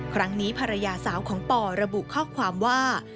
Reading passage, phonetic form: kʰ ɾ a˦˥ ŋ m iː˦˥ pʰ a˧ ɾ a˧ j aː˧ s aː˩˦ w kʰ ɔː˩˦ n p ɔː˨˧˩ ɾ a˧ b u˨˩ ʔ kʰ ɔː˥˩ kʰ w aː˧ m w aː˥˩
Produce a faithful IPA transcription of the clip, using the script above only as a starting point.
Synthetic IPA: kʰ ɾ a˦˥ ŋ n iː˦˥ pʰ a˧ ɾ a˧ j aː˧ s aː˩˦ w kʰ ɔː˩˦ ŋ p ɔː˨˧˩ ɾ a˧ b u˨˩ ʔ kʰ ɔː˥˩ kʰ w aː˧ m w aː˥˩

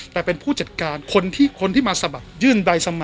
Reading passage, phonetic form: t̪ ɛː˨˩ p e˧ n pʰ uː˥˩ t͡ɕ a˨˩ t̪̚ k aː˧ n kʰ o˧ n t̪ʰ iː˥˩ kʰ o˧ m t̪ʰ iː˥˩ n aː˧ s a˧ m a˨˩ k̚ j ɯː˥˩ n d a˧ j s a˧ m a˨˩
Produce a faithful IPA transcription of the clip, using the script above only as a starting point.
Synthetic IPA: t̪ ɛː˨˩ p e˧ n pʰ uː˥˩ t͡ɕ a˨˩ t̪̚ k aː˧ n kʰ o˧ n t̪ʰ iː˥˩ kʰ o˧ n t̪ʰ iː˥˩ m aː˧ s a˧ b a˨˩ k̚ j ɯː˥˩ n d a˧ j s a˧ m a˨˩

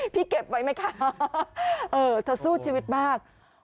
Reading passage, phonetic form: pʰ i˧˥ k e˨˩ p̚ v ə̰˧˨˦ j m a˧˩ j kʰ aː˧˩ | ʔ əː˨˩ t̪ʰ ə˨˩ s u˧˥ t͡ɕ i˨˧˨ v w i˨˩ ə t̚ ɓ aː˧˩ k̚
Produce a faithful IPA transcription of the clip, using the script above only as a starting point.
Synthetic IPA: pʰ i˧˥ k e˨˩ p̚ v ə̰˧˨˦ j m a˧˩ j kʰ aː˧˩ | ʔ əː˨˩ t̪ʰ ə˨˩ s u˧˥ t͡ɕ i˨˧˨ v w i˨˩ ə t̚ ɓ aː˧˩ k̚

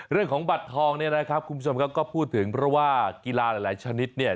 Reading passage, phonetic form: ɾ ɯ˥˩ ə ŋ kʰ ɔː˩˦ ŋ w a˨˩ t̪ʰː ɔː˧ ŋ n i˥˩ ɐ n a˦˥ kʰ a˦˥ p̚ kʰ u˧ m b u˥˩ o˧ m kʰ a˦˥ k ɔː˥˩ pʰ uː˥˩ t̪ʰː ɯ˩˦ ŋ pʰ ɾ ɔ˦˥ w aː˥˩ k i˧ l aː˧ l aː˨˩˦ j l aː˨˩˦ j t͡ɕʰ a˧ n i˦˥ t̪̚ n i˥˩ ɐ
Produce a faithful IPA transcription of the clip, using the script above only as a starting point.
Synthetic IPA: ɾ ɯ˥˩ ə ŋ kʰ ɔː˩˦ ŋ b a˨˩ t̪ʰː ɔː˧ ŋ n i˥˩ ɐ n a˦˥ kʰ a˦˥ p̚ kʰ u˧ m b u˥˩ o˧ m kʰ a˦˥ k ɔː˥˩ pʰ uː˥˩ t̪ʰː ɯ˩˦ ŋ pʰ ɾ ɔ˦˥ w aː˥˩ k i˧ l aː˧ l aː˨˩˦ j l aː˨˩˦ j t͡ɕʰ a˧ n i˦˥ t̪̚ n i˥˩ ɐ

